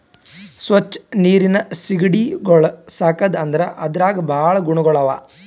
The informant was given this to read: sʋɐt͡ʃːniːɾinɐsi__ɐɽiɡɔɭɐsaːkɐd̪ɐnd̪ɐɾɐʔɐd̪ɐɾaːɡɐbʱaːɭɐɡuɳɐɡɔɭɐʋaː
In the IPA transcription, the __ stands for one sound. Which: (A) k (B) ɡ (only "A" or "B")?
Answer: B